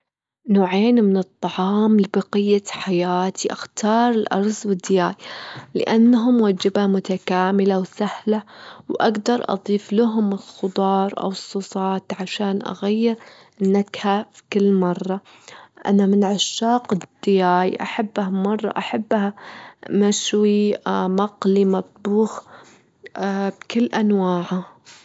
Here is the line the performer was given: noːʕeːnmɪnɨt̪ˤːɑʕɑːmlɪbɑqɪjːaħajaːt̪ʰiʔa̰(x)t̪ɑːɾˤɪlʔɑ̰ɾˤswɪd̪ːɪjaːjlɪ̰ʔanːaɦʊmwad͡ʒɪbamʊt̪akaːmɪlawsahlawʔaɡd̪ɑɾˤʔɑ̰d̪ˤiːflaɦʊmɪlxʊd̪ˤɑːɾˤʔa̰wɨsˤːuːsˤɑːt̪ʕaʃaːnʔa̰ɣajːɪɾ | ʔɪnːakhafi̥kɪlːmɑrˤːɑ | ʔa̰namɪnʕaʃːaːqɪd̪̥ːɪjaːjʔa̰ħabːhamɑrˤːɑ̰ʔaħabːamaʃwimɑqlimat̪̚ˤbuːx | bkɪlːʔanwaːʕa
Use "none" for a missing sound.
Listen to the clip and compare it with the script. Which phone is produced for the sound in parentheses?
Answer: x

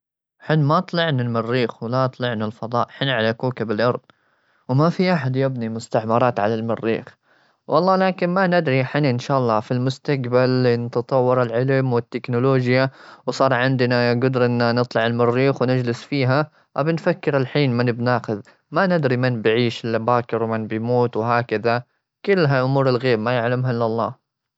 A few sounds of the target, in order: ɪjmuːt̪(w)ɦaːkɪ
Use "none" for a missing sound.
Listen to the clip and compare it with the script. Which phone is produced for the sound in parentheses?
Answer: w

